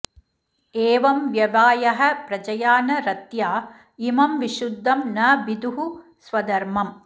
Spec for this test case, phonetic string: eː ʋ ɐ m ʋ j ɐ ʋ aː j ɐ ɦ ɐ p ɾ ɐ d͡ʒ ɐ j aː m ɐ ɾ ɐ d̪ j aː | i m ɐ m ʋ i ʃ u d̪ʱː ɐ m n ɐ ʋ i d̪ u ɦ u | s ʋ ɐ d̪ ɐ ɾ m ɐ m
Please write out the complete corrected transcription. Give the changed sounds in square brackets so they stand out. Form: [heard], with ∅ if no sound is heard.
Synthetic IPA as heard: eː ʋ ɐ m ʋ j ɐ ʋ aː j ɐ ɦ ɐ p ɾ ɐ d͡ʒ ɐ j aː [n] ɐ ɾ ɐ [t̪] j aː | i m ɐ m ʋ i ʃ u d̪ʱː ɐ m n ɐ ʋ i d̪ u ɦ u | s ʋ ɐ d̪ ɐ ɾ m ɐ m